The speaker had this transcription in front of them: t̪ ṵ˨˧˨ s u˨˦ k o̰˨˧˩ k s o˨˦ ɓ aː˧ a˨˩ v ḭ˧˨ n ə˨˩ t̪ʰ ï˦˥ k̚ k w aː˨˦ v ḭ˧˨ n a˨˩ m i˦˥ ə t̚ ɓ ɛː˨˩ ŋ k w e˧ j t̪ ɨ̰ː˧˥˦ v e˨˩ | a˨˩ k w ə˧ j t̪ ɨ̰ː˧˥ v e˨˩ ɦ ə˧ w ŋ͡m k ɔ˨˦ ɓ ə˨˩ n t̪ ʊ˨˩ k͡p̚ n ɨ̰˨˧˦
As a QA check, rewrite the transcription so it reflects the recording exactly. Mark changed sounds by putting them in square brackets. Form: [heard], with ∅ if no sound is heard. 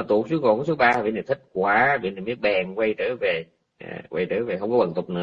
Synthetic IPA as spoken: t̪ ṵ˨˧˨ s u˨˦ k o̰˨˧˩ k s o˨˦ ɓ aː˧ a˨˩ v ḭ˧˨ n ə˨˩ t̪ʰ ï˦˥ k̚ k w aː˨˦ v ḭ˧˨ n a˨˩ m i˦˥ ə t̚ ɓ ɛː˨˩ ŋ k w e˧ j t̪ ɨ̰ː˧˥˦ v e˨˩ | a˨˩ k w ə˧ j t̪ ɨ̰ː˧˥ v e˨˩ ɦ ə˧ w ŋ͡m k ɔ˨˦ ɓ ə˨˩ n t̪ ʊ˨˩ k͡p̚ n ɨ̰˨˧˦

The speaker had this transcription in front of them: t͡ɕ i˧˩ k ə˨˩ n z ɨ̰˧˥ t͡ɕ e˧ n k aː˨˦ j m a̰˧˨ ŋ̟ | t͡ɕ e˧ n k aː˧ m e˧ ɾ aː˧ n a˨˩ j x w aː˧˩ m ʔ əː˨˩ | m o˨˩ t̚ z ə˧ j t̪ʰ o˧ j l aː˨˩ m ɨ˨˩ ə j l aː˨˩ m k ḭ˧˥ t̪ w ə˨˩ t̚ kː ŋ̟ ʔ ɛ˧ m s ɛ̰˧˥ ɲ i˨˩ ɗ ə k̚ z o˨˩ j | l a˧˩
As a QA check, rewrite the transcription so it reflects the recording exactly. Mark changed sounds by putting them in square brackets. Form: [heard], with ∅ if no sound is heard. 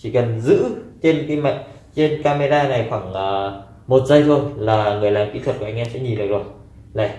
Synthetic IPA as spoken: t͡ɕ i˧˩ k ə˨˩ n z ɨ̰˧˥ t͡ɕ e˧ n k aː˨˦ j m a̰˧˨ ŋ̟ | t͡ɕ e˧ n k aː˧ m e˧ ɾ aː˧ n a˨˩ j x w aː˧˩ [ŋ] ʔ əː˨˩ | m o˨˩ t̚ z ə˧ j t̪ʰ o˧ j l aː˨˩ [ŋ] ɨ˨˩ ə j l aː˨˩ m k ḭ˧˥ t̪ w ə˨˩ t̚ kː ŋ̟ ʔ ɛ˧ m s ɛ̰˧˥ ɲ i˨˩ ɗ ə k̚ z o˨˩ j | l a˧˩

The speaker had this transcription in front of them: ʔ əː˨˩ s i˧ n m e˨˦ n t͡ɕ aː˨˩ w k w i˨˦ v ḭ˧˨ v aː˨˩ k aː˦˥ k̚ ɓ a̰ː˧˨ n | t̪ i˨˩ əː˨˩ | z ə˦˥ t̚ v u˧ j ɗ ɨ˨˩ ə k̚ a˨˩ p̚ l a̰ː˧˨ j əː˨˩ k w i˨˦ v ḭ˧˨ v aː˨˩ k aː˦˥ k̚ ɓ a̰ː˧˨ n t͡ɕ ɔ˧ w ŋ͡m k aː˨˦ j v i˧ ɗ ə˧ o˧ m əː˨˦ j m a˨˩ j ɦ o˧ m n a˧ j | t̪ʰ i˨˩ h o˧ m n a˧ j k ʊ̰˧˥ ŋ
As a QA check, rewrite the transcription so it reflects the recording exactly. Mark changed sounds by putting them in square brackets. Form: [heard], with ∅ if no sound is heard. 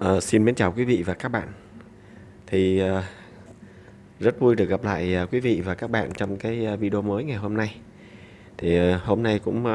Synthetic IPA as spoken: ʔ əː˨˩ s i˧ n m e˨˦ n t͡ɕ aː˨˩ w k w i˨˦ v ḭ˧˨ v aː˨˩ k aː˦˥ k̚ ɓ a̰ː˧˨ n | [t̪ʰ] i˨˩ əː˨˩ | z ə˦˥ t̚ v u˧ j ɗ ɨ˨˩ ə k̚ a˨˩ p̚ l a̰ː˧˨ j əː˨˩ k w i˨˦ v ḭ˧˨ v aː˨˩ k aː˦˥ k̚ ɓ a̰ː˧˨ n t͡ɕ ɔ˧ w ŋ͡m k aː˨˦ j v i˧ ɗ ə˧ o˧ m əː˨˦ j [ŋ] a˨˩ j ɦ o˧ m n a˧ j | t̪ʰ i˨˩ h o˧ m n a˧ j k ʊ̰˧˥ [ŋ͡m]

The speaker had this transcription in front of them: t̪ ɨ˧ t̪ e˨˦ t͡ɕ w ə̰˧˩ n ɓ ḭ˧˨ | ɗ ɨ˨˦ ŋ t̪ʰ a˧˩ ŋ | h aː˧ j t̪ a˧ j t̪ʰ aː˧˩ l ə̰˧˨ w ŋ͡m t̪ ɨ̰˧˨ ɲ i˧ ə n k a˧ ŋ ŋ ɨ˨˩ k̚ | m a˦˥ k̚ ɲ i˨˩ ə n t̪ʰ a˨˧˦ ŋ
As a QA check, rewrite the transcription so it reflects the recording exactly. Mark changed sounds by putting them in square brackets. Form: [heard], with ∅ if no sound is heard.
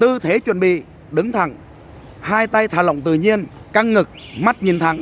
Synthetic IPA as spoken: t̪ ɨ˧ [t̪ʰ] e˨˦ t͡ɕ w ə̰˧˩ n ɓ ḭ˧˨ | ɗ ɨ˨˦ ŋ t̪ʰ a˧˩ ŋ | h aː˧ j t̪ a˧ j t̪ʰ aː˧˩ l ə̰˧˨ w ŋ͡m t̪ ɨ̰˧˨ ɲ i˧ ə n k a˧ ŋ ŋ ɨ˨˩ k̚ | m a˦˥ [t̚] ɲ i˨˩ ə n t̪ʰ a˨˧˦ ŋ

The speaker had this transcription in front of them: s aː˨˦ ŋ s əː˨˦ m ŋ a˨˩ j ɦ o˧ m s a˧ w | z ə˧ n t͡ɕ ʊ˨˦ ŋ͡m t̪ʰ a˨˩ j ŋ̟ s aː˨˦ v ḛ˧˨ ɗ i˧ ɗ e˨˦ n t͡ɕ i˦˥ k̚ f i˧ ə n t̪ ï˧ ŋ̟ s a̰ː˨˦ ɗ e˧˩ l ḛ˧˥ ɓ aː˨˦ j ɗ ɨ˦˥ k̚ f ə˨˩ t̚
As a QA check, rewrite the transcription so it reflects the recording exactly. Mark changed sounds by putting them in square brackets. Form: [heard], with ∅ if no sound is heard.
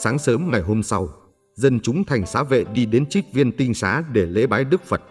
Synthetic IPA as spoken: s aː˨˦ ŋ s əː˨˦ m ŋ a˨˩ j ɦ o˧ m s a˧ w | z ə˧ n t͡ɕ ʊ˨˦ ŋ͡m t̪ʰ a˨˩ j ŋ̟ s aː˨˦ v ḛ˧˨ ɗ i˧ ɗ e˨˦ n t͡ɕ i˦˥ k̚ [v] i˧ ə n t̪ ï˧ ŋ̟ s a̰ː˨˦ ɗ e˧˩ l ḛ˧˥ ɓ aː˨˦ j ɗ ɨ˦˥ k̚ f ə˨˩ t̚

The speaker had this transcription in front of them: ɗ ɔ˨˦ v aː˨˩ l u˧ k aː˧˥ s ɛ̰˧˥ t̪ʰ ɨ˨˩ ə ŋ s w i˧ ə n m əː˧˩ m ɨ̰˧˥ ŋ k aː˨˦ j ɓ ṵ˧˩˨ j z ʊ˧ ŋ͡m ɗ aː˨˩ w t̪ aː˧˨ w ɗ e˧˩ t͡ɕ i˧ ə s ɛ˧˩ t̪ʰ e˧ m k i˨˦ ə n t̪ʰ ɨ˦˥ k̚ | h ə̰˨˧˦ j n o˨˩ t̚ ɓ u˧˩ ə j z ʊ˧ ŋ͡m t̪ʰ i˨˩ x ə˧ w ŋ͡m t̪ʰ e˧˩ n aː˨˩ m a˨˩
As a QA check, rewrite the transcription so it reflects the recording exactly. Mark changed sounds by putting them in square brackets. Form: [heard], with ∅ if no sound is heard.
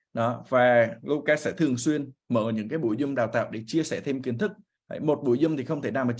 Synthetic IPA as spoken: ɗ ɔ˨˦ v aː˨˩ l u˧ k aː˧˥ s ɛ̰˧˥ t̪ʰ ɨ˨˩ ə ŋ s w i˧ ə n m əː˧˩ [ɲ] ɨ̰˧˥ ŋ k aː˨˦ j ɓ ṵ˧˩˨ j z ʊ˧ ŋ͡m ɗ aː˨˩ w t̪ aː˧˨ w ɗ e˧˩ t͡ɕ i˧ ə s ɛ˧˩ t̪ʰ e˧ m k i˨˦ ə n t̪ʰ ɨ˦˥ k̚ | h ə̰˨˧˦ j [m] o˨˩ t̚ ɓ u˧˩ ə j z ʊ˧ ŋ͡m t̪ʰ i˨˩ x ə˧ w ŋ͡m t̪ʰ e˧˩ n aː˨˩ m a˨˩

